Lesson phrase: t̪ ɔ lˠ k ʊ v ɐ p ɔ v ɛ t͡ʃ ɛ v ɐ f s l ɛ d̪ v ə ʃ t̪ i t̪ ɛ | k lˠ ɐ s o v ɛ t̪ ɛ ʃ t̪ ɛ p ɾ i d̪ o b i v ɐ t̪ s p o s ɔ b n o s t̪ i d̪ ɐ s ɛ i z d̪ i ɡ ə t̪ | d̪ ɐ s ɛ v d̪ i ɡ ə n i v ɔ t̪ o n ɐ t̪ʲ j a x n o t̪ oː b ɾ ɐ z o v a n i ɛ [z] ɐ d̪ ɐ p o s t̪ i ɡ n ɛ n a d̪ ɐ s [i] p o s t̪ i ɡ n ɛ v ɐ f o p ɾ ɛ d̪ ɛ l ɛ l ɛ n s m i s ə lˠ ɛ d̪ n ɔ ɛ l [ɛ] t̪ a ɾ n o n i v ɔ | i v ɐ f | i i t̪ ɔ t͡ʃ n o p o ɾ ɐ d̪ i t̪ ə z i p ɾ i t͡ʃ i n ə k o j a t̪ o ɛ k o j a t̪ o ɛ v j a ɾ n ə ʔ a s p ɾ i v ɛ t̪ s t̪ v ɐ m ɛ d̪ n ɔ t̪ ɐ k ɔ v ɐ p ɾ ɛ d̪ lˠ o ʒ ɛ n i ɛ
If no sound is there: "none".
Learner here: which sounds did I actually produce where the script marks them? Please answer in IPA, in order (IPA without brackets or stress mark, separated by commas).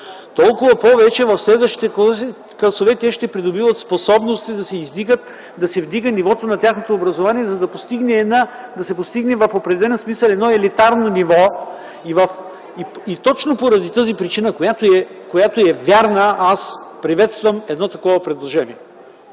z, ɛ, i